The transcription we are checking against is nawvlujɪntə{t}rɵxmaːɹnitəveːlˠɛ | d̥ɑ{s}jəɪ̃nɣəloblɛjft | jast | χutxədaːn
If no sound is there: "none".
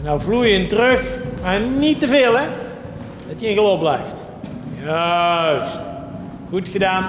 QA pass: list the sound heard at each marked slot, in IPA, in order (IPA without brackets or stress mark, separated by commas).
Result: none, t